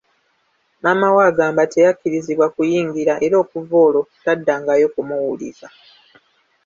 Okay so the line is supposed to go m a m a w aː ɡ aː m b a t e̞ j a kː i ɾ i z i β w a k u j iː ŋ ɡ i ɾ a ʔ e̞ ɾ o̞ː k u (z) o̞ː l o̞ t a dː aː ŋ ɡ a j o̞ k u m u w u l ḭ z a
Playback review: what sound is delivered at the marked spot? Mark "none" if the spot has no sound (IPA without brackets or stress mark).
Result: v